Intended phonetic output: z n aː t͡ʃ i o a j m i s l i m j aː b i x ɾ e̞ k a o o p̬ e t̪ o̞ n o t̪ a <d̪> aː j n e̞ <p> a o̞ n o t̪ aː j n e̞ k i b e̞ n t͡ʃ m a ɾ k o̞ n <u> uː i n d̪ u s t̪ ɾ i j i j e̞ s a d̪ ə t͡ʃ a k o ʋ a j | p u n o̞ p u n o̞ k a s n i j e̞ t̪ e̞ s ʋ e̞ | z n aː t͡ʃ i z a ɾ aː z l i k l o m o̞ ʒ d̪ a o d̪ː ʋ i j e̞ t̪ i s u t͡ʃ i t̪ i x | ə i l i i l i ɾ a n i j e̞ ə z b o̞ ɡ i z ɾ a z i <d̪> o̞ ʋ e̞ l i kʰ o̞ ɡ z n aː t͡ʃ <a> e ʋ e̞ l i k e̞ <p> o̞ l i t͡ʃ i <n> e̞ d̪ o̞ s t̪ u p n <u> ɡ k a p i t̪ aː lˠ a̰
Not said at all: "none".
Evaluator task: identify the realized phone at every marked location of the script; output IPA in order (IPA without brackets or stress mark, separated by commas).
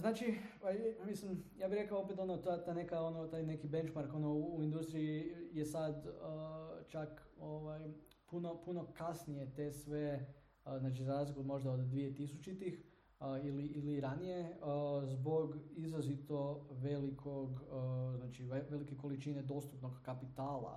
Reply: t̪, k, o, t̪, i, k, n, o